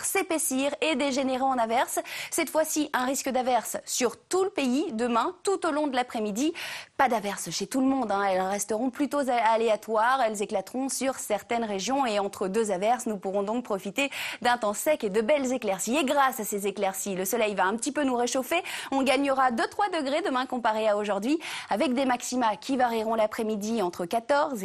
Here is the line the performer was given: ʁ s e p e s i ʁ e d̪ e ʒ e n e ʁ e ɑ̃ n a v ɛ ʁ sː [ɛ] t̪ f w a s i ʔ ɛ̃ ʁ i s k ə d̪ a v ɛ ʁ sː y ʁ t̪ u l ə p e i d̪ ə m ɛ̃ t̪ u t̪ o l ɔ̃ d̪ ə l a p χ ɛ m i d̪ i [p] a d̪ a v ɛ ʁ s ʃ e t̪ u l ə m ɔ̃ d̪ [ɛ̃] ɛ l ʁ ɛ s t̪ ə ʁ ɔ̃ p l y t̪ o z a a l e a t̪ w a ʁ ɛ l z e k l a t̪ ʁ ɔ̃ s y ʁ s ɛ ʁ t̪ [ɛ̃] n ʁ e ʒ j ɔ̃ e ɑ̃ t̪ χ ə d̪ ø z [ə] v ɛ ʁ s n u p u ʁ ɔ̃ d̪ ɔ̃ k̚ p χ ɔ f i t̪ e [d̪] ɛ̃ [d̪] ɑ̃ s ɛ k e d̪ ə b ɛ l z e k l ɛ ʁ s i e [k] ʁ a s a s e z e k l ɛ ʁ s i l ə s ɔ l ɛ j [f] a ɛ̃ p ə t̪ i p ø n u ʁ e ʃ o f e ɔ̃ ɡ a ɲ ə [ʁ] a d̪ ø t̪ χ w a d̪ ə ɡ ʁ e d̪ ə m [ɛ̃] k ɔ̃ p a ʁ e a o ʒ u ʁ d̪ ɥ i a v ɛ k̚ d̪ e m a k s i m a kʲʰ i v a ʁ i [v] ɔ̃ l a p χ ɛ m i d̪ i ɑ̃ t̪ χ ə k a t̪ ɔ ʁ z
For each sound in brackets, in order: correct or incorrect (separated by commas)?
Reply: correct, correct, correct, incorrect, incorrect, correct, incorrect, incorrect, incorrect, correct, correct, incorrect